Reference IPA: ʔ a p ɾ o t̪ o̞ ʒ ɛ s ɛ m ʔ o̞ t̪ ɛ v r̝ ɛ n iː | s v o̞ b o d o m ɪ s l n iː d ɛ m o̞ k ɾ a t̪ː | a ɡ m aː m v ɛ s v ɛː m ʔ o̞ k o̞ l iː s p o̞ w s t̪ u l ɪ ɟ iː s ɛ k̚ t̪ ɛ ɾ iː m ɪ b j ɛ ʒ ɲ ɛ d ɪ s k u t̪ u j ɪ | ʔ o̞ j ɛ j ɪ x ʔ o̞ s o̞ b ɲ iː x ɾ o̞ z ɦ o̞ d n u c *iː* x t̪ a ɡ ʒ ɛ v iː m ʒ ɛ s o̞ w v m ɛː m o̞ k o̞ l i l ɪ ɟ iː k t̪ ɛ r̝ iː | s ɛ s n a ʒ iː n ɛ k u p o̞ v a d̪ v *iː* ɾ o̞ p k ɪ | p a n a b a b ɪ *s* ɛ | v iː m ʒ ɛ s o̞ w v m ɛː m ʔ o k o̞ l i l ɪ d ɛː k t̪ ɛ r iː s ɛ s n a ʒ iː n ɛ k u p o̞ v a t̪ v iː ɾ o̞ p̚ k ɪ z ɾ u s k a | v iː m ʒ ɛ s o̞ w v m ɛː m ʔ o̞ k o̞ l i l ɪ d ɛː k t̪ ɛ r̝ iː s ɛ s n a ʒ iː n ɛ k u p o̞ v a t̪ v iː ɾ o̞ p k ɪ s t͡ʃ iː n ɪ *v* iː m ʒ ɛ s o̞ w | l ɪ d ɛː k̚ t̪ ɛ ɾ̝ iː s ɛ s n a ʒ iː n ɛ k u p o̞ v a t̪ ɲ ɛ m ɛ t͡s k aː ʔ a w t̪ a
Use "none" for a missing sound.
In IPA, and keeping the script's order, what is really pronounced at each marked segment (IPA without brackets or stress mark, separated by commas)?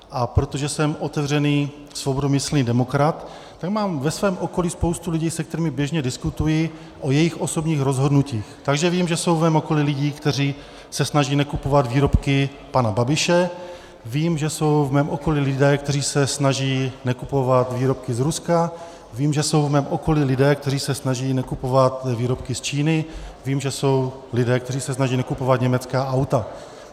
iː, iː, ʃ, v